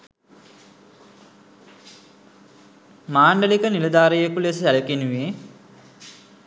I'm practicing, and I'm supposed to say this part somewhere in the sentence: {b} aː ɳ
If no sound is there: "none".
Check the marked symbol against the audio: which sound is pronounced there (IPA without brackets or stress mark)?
m